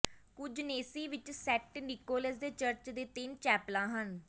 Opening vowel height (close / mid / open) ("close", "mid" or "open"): close